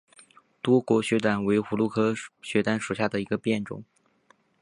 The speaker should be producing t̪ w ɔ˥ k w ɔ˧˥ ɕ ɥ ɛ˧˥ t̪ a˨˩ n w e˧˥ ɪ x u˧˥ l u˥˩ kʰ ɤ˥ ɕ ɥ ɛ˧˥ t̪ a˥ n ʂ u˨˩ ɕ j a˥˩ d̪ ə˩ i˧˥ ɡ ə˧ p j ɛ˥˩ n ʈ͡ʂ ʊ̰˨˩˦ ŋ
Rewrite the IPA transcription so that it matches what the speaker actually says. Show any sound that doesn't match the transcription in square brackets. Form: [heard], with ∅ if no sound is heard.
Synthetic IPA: t̪ w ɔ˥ k w ɔ˧˥ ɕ ɥ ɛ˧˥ t̪ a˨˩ n w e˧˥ ɪ x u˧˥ l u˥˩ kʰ ɤ˥ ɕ ɥ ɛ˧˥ t̪ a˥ n ʂ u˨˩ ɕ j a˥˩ d̪ ə˩ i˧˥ ɡ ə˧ p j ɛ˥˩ n ʈ͡ʂ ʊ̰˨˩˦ ŋ